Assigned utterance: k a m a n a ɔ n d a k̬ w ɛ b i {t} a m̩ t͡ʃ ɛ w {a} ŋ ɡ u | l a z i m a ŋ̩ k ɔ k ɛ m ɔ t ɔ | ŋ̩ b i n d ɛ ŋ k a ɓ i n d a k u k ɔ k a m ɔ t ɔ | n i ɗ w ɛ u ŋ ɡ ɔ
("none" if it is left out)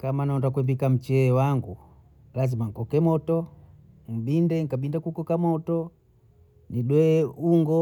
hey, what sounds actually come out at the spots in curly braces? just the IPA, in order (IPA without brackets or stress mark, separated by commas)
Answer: k, a